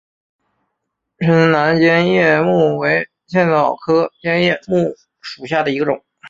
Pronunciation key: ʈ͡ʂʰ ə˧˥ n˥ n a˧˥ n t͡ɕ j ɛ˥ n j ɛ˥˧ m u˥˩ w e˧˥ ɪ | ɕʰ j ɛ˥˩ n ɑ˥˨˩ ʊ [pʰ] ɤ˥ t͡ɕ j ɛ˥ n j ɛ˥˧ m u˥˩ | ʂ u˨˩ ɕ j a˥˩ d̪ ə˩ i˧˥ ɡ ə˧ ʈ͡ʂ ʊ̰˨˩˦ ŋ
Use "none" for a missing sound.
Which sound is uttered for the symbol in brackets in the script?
kʰ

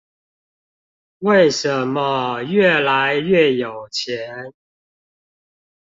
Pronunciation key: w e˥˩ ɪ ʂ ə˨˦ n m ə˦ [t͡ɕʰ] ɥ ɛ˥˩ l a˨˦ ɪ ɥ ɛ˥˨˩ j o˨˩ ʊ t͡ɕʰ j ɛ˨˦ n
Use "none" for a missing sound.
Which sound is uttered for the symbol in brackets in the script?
none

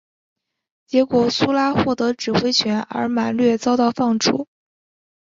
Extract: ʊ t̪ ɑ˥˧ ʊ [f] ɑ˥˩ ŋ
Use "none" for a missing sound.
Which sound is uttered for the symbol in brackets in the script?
f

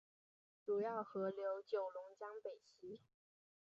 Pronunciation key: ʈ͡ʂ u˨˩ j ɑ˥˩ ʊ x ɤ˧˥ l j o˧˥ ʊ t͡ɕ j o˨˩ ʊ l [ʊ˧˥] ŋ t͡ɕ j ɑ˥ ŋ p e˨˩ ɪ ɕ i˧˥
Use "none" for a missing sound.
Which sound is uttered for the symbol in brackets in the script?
ʊ˧˥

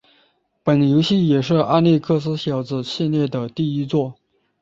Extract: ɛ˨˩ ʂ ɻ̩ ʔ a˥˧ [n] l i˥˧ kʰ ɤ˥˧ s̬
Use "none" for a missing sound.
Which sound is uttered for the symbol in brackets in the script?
n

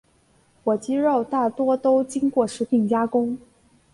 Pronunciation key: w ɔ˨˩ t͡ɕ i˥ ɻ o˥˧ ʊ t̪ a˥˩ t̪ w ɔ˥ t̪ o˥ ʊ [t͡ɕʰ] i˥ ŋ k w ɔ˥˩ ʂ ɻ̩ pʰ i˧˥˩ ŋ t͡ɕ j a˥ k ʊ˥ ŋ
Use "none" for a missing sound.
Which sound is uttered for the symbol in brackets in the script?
t͡ɕ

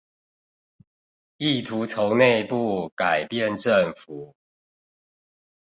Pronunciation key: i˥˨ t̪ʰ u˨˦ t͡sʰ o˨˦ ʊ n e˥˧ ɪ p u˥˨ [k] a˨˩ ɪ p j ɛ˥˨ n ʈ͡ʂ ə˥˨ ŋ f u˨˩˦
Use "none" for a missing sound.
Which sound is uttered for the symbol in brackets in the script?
k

